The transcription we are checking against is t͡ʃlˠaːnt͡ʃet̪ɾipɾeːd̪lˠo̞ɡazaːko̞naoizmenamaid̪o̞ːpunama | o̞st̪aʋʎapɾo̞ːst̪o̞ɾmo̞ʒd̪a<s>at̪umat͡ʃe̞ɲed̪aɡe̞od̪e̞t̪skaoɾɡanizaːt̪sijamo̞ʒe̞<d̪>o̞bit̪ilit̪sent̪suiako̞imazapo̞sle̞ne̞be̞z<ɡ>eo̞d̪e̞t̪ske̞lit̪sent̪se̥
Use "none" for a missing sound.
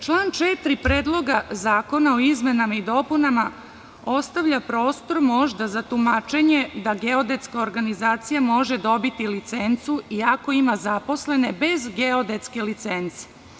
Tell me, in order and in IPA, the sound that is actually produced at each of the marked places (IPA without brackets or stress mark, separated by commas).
z, d̪, ɡ